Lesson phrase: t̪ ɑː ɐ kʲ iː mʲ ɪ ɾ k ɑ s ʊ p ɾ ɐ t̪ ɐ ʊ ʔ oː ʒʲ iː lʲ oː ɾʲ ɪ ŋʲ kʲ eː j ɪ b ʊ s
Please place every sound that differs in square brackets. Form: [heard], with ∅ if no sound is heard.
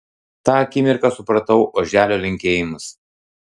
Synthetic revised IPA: t̪ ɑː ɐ kʲ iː mʲ ɪ ɾ k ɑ s ʊ p ɾ ɐ t̪ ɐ ʊ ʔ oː ʒʲ [æː] lʲ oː [lʲ] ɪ ŋʲ kʲ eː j ɪ [m] ʊ s